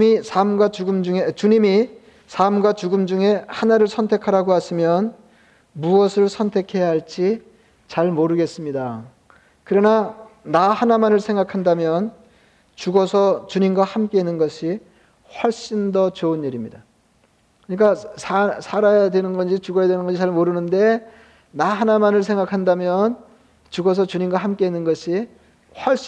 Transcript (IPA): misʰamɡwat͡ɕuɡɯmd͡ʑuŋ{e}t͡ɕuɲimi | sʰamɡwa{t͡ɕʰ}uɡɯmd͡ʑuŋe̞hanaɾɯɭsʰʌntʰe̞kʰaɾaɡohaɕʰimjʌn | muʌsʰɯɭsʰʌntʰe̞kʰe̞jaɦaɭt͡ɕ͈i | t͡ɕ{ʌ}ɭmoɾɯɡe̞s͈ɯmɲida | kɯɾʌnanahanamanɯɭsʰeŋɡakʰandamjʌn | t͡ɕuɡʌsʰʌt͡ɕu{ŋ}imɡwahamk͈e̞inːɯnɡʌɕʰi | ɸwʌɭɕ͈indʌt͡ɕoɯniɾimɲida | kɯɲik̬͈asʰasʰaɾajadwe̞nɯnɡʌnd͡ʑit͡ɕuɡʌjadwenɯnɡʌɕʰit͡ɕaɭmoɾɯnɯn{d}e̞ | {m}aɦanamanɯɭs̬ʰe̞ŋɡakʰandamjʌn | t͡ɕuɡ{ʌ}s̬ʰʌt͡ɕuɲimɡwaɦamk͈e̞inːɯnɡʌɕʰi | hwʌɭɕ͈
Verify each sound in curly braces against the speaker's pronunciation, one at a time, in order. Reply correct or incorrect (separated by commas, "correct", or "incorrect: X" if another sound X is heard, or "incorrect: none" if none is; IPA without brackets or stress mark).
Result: correct, incorrect: t͡ɕ, incorrect: a, incorrect: ɲ, correct, incorrect: n, correct